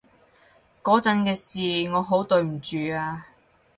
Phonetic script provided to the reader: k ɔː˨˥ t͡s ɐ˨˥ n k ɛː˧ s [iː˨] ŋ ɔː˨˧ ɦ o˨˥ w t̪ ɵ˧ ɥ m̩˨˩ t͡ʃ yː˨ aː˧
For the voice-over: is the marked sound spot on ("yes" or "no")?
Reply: yes